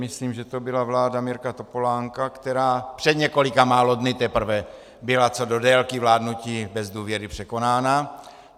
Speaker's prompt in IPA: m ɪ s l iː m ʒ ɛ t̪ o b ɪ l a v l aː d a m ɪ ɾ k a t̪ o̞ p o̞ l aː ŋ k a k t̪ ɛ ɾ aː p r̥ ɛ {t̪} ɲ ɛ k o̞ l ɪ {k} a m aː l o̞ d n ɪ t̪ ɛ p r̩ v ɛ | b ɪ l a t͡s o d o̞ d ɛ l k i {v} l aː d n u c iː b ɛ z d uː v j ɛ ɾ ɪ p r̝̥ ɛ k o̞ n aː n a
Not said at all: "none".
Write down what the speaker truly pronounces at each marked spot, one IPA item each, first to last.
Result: d̪, k, v

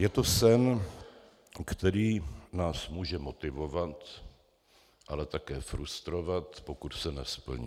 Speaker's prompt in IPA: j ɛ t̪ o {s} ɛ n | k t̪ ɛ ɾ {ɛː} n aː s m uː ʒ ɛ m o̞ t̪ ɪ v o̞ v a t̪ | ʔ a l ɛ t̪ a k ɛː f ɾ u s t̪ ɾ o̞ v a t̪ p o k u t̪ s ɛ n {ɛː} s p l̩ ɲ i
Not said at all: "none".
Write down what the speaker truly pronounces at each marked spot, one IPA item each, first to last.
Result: s, iː, ɛ

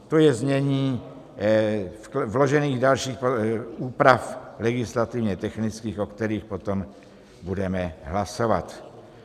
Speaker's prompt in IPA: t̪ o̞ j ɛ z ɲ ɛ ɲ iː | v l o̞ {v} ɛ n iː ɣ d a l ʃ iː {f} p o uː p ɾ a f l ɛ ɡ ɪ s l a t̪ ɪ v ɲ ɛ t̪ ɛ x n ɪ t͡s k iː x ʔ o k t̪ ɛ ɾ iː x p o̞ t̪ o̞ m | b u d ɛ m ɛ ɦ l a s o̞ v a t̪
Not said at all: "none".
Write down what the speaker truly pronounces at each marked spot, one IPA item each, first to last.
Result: ʒ, x

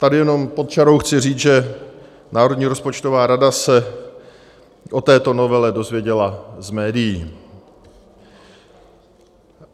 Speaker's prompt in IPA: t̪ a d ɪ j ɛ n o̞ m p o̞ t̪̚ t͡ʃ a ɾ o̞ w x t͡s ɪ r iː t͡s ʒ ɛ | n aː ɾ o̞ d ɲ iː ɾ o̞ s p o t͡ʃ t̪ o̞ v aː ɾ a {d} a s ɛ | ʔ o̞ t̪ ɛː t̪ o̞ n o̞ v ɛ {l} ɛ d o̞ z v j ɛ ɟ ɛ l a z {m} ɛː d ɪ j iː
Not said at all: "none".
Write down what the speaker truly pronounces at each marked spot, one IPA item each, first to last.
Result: d, l, m

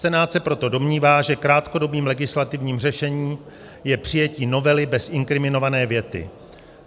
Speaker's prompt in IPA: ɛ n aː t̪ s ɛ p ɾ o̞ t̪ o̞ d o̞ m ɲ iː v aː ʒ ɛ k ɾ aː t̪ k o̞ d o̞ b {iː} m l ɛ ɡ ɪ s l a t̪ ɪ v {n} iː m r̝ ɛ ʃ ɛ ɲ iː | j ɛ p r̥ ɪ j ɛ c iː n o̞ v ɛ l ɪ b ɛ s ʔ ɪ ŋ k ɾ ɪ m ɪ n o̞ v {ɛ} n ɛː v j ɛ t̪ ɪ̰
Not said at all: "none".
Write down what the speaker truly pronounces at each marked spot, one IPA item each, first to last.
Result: iː, ɲ, a

